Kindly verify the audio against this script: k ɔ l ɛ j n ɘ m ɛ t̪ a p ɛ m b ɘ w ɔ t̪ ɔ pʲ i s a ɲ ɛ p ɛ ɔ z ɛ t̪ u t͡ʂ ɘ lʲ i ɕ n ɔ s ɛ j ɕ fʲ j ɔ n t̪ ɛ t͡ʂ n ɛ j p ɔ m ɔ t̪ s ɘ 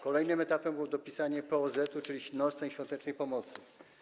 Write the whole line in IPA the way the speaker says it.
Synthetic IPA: k ɔ l ɛ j n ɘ m ɛ t̪ a p ɛ m b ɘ w ɔ d̪ ɔ pʲ i s a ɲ ɛ p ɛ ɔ z ɛ t̪ u t͡ʂ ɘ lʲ i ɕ n ɔ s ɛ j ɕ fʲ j ɔ n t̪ ɛ t͡ʂ n ɛ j p ɔ m ɔ t̪ s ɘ